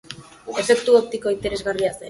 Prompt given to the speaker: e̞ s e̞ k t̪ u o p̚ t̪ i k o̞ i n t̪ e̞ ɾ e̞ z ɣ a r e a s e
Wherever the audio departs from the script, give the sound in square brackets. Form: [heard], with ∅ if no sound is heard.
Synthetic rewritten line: e̞ [f] e̞ k t̪ u o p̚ t̪ i k o̞ i n t̪ e̞ ɾ e̞ z ɣ a r [i] a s e